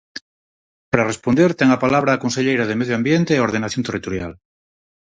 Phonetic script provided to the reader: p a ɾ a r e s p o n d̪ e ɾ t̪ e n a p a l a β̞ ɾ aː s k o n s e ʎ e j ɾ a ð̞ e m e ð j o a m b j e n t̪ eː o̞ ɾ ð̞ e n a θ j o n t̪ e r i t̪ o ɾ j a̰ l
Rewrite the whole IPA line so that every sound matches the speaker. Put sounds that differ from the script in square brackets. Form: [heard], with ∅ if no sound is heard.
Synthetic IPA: p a ɾ a r e s p o n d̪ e ɾ t̪ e [ŋ] a p a l a β̞ ɾ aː [∅] k o n s e ʎ e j ɾ a ð̞ e m e ð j o a m b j e n t̪ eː o̞ ɾ ð̞ e n a θ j o n t̪ e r i t̪ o ɾ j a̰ l

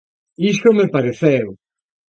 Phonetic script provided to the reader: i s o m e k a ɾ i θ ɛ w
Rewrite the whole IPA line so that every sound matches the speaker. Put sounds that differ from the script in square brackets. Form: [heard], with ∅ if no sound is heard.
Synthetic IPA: i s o m e [p] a ɾ [e] θ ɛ w

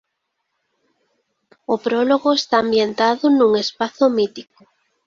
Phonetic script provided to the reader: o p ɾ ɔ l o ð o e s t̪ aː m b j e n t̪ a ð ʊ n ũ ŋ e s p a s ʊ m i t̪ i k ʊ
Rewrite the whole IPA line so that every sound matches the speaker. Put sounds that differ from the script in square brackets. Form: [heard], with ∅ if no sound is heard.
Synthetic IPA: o p ɾ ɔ l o [ɣ] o e s t̪ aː m b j e n t̪ a ð ʊ n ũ ŋ e s p a [θ] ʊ m i t̪ i k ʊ

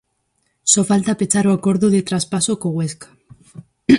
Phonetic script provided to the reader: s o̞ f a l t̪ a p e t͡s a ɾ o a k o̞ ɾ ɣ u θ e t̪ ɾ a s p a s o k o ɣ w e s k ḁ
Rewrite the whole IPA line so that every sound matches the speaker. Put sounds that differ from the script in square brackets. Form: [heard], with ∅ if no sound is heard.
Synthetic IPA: s o̞ f a l t̪ a p e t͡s a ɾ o a k o̞ ɾ [ð] u [ð] e t̪ ɾ a s p a s o k o ɣ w e s k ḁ

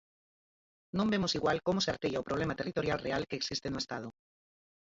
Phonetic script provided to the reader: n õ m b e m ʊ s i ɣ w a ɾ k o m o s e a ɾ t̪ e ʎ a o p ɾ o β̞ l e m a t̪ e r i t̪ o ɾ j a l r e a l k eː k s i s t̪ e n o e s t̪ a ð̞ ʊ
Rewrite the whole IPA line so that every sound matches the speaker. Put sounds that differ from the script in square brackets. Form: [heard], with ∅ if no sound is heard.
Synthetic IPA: n õ m b e m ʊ s i ɣ w a [l] k o m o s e a ɾ t̪ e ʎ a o p ɾ o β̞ l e m a t̪ e r i t̪ o ɾ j a l r e a l k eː k s i s t̪ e n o e s t̪ a ð̞ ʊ

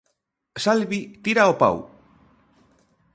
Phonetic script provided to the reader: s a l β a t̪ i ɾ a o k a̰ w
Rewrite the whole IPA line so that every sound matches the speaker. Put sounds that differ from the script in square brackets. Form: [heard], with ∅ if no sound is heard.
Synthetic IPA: s a l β [i] t̪ i ɾ a o [p] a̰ w

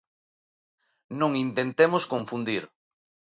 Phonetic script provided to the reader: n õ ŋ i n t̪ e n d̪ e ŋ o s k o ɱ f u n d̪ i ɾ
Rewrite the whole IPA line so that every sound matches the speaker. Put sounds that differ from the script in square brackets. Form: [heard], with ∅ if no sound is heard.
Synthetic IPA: n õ ŋ i n t̪ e n [t̪] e [m] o s k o ɱ f u n d̪ i ɾ

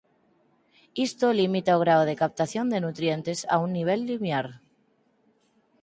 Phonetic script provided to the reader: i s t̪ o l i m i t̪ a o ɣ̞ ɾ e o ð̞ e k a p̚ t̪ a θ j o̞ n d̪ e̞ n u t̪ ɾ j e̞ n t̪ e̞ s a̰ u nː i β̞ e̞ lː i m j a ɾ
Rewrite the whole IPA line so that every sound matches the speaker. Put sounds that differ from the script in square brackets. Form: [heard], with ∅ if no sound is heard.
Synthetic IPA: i s t̪ o l i m i t̪ a o ɣ̞ ɾ [a] o ð̞ e k a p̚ t̪ a θ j o̞ n d̪ e̞ n u t̪ ɾ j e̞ n t̪ e̞ s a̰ u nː i β̞ e̞ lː i m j a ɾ

